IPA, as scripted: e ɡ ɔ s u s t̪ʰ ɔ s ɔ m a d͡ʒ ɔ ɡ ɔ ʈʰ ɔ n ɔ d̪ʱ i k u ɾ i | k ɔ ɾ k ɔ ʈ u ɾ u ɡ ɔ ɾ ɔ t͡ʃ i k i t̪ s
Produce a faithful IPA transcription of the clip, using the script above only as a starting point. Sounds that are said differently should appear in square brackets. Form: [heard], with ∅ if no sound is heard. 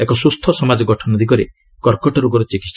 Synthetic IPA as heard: e [k] ɔ s u s t̪ʰ ɔ s ɔ m a d͡ʒ ɔ ɡ ɔ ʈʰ ɔ n ɔ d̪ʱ i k [ɔ] ɾ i | k ɔ ɾ k ɔ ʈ [ɔ] ɾ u ɡ ɔ ɾ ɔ t͡ʃ i k i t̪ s